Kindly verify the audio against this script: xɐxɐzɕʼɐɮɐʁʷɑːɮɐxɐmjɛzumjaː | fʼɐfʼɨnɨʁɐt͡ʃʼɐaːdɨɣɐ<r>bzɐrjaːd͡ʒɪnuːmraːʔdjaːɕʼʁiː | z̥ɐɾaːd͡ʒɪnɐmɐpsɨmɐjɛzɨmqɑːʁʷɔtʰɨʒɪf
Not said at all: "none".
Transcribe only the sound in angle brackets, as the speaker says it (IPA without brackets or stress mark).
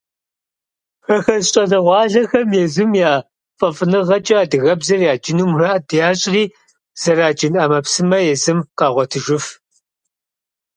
none